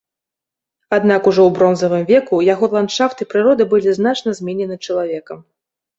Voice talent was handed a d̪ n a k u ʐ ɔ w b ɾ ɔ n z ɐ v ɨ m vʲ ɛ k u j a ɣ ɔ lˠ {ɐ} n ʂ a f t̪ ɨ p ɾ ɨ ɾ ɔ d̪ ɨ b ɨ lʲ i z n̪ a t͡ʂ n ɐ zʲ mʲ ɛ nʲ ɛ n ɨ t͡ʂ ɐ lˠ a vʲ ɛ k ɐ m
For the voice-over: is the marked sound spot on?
no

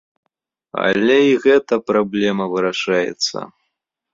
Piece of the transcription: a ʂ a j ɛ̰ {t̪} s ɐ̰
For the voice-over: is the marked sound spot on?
yes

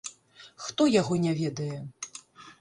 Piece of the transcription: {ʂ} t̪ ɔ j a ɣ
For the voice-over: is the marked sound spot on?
no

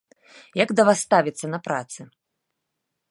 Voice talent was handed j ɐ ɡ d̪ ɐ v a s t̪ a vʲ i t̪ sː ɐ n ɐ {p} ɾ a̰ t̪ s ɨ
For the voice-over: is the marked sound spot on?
yes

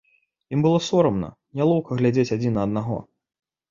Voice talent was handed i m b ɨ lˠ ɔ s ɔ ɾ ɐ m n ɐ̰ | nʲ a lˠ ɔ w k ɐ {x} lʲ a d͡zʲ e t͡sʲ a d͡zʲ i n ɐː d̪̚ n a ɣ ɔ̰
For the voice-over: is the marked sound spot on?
no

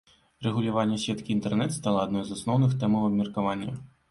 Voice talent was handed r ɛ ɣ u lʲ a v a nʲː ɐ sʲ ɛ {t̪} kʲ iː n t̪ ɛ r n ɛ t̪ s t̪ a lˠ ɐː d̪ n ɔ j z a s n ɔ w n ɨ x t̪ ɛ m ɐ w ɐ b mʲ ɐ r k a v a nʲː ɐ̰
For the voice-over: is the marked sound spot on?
yes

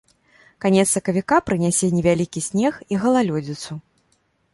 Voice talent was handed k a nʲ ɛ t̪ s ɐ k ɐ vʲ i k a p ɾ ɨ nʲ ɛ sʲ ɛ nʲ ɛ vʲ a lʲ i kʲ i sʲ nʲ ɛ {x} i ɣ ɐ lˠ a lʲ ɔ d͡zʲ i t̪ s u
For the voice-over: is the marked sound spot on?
yes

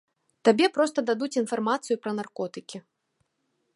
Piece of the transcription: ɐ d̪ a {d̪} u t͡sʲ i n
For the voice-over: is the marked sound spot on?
yes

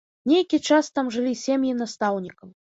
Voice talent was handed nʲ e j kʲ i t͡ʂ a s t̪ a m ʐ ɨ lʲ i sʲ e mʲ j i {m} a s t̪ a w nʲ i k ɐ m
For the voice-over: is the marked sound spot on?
no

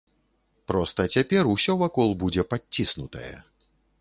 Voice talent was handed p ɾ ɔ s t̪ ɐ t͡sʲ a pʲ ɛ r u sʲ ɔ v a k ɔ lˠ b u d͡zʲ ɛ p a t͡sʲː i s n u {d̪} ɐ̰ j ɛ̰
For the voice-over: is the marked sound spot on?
no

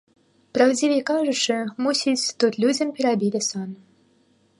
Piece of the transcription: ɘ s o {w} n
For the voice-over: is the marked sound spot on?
no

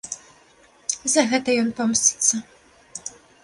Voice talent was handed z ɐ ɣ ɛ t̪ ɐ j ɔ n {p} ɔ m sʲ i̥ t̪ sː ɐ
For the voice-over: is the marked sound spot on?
yes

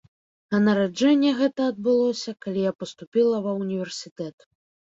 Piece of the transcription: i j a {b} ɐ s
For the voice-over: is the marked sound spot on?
no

